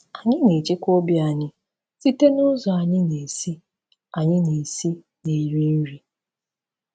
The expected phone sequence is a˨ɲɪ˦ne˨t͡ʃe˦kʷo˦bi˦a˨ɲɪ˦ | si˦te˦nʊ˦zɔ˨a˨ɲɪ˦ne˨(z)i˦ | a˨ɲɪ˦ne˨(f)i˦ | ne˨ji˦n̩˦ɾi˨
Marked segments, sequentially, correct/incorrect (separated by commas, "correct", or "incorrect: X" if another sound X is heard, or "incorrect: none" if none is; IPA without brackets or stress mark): incorrect: s, incorrect: s